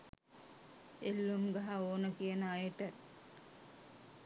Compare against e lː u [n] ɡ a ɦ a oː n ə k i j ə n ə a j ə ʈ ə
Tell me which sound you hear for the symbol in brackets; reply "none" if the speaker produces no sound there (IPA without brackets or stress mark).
m